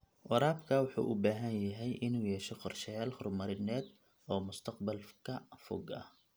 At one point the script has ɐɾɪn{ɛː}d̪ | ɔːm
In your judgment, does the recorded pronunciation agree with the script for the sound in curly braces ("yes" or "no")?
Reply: yes